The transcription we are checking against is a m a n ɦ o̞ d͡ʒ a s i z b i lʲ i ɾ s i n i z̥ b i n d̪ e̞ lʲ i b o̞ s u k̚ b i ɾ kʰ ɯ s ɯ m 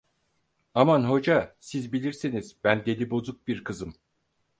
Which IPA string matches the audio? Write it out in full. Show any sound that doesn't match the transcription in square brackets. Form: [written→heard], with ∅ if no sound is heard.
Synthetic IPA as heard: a m a n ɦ o̞ d͡ʒ a s i z b i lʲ i ɾ s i n i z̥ b [i→æ] n d̪ e̞ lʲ i b o̞ [s→z] u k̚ b i ɾ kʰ ɯ [s→z] ɯ m